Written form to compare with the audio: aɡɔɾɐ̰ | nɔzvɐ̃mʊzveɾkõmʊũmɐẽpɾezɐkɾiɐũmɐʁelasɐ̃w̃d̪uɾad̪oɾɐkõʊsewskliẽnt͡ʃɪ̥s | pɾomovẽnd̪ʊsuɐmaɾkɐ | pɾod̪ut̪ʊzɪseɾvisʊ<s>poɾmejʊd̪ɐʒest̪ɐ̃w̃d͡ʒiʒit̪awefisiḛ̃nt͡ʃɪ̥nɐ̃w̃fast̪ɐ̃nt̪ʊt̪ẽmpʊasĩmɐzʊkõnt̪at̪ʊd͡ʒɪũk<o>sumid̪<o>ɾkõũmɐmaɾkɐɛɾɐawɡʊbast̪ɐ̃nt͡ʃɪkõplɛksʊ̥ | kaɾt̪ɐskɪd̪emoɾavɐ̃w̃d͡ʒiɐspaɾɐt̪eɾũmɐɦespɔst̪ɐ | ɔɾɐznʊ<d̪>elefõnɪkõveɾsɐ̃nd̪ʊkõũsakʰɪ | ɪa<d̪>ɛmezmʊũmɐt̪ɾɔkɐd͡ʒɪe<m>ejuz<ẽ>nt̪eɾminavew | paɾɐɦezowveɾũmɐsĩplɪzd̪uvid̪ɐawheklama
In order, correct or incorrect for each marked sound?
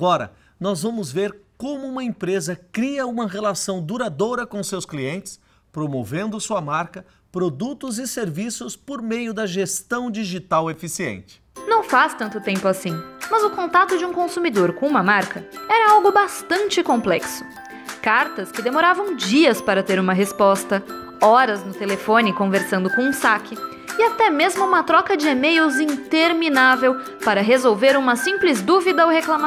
correct, incorrect: õ, correct, incorrect: t̪, incorrect: t̪, correct, incorrect: ĩ

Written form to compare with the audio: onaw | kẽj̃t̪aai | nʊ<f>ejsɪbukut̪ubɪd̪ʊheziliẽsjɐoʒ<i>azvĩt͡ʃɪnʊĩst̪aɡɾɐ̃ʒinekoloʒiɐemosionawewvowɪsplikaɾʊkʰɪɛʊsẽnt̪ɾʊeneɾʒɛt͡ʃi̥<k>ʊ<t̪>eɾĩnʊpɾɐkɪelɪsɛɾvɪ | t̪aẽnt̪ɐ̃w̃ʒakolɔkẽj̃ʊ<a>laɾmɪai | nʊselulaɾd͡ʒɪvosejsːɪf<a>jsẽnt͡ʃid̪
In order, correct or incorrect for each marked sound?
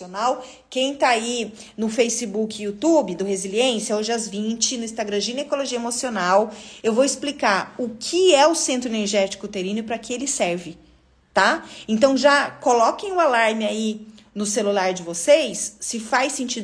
correct, incorrect: ɪ, correct, correct, correct, correct

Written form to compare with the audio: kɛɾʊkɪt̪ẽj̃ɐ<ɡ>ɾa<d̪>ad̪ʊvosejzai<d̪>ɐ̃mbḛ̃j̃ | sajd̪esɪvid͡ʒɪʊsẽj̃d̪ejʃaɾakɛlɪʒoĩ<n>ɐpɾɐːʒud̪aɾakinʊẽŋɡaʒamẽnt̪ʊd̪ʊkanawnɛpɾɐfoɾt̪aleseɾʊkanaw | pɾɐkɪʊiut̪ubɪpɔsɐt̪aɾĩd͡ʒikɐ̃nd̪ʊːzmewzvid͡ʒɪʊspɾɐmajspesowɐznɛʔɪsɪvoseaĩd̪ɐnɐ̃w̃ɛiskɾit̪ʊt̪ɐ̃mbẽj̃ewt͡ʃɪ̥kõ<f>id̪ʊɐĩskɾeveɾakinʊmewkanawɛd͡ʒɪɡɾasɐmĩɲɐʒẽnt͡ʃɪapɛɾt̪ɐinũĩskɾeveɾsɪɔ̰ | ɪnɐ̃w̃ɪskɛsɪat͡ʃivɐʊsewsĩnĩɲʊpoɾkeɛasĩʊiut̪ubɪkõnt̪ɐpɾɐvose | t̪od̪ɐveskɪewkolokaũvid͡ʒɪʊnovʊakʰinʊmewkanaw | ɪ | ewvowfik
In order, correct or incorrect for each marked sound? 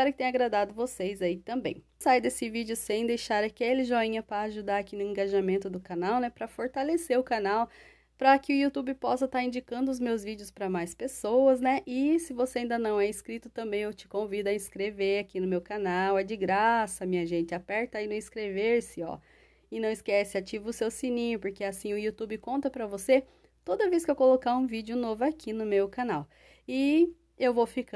correct, correct, incorrect: t̪, incorrect: ɲ, incorrect: v

